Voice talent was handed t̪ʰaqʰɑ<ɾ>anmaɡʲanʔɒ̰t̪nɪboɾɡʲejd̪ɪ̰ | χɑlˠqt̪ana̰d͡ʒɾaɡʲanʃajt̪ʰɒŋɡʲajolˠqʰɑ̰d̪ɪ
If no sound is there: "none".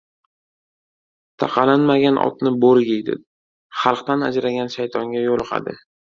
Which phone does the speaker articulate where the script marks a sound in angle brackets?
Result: l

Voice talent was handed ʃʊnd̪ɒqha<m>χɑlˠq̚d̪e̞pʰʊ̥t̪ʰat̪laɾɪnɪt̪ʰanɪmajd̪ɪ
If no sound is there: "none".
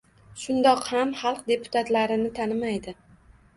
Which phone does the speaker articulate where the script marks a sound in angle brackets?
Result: m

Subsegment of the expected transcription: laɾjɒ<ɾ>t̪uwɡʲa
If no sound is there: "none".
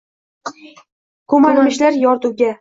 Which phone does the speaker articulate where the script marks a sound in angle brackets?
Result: ɾ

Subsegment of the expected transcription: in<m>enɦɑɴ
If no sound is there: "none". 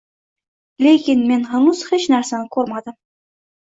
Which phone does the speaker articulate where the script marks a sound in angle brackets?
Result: m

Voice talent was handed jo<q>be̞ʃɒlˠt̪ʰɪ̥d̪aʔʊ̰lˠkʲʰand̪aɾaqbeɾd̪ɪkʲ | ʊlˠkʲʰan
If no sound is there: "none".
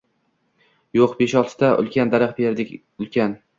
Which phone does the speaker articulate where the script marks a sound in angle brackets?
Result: q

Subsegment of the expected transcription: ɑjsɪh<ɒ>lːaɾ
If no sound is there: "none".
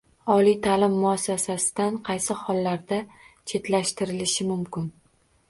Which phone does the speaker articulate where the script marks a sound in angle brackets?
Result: ɒ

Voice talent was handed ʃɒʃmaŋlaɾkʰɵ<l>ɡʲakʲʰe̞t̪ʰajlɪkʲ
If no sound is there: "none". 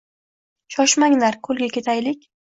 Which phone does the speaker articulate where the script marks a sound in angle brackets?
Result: l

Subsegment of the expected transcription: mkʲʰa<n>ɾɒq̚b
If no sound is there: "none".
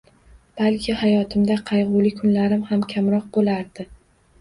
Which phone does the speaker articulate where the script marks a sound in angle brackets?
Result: m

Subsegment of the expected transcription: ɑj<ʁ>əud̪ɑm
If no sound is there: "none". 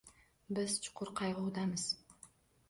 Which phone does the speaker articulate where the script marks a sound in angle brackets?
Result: ʁ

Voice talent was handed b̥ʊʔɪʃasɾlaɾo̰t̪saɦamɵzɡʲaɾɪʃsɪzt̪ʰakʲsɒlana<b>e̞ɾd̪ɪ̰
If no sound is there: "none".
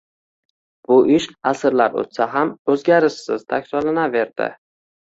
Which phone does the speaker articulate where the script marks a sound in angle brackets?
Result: v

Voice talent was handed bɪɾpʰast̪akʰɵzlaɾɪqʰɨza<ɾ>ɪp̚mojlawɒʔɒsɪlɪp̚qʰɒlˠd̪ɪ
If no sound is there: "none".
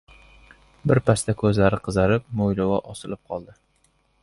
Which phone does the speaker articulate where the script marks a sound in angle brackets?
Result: ɾ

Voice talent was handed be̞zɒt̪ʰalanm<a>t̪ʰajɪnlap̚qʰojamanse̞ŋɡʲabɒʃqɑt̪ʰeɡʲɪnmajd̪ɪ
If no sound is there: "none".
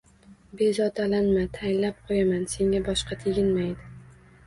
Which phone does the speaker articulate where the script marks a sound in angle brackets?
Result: a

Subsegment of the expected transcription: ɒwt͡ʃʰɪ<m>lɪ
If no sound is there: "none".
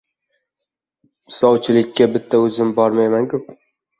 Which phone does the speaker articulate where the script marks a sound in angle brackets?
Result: none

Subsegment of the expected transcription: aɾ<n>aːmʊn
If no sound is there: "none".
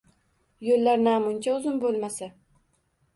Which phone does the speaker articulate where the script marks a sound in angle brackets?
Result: n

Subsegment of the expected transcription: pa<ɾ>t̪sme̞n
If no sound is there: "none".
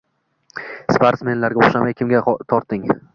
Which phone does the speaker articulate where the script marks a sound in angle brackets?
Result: ɾ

